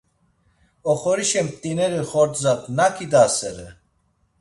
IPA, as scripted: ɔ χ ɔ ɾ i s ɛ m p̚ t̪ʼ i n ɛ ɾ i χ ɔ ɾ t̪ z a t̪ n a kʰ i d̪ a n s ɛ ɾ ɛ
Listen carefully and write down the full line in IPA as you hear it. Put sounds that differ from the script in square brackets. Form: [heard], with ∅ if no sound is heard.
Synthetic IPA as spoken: ɔ χ ɔ ɾ i [ʃ] ɛ m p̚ t̪ʼ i n ɛ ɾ i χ ɔ ɾ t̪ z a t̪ n a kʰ i d̪ a [∅] s ɛ ɾ ɛ